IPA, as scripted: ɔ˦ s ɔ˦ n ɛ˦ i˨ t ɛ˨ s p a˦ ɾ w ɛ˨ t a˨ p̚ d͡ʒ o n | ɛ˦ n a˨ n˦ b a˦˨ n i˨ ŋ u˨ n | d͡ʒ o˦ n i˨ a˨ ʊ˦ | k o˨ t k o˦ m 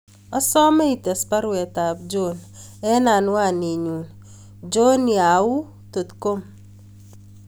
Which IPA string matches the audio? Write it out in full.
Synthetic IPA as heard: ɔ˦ s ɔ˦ m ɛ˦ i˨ t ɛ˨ s p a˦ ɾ w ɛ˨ t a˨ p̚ d͡ʒ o n | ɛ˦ n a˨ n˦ w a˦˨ n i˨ ɲ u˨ n | d͡ʒ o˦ n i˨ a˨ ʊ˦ | t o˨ t k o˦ m